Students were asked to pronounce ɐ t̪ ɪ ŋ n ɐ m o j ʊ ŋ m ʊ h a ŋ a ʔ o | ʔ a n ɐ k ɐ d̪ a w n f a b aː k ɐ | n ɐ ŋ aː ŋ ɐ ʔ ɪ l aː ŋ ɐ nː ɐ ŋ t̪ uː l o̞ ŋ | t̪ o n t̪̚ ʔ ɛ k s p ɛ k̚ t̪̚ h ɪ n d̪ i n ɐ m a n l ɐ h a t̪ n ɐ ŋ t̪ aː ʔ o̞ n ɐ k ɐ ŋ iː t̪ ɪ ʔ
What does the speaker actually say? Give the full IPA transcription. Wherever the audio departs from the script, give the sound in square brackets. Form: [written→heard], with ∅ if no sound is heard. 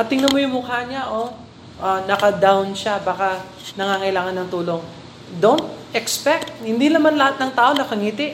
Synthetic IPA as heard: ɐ t̪ ɪ ŋ n ɐ m o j ʊ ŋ m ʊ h a [ŋ→ɲ] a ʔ o | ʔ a n ɐ k ɐ d̪ a w n [f→ʃ] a b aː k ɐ | n ɐ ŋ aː ŋ ɐ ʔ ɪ l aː ŋ ɐ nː ɐ ŋ t̪ uː l o̞ ŋ | [t̪→d̪] o n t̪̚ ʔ ɛ k s p ɛ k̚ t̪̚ h ɪ n d̪ i n ɐ m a n l ɐ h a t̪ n ɐ ŋ t̪ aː ʔ o̞ n ɐ k ɐ ŋ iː t̪ ɪ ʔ